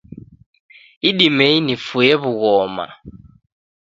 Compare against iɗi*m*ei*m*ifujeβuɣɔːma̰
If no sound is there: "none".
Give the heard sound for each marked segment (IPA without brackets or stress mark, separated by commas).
m, n